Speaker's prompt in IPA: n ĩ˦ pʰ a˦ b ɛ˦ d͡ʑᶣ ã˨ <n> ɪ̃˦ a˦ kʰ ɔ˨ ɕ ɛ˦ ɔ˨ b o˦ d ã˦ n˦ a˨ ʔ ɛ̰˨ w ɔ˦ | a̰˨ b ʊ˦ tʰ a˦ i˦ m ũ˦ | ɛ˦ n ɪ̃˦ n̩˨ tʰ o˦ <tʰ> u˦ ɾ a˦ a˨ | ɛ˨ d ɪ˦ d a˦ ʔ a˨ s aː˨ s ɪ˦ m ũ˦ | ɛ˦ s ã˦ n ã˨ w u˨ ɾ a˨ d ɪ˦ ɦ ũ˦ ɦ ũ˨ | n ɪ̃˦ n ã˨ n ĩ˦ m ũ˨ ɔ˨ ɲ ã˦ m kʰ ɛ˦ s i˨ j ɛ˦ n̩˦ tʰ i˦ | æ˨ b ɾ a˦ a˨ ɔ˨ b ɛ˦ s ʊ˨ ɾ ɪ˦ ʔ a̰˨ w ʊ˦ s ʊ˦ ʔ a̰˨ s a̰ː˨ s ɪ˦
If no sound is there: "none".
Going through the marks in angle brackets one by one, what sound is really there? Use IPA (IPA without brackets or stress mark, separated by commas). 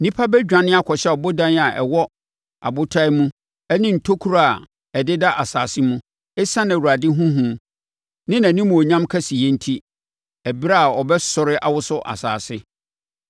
n, kʰ